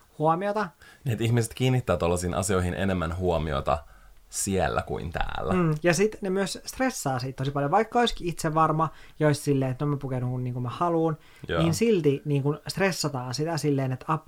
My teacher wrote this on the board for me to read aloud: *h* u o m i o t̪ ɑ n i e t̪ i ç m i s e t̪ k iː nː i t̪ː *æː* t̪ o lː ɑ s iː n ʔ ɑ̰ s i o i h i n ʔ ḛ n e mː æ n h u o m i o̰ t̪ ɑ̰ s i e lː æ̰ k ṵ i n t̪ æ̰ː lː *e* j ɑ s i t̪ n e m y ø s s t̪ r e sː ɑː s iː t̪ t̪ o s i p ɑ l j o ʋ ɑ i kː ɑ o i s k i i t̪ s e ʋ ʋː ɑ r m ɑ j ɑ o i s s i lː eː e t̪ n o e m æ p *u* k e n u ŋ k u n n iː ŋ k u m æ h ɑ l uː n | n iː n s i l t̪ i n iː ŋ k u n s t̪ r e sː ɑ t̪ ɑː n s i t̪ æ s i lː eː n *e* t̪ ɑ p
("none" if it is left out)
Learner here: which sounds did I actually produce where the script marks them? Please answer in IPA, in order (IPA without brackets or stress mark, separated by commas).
h, æː, æ, u, e